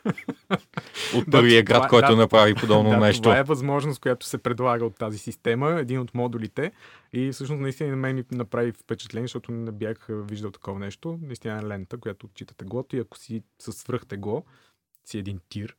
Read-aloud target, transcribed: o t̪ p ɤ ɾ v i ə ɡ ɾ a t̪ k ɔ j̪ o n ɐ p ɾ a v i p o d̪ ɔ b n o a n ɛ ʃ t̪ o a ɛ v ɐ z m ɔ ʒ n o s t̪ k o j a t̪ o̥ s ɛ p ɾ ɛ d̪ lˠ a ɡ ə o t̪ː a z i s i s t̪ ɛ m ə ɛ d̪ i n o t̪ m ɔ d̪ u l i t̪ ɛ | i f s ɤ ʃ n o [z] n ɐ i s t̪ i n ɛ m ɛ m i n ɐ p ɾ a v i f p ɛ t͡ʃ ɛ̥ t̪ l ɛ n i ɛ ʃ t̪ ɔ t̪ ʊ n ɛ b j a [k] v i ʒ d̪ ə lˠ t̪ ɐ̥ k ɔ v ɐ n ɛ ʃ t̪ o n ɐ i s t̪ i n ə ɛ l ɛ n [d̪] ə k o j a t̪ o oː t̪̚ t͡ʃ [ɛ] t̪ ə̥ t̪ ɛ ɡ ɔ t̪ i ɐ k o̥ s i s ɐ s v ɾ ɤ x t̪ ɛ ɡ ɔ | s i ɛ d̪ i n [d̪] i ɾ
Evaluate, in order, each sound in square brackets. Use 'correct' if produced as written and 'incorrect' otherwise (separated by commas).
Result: incorrect, incorrect, incorrect, incorrect, incorrect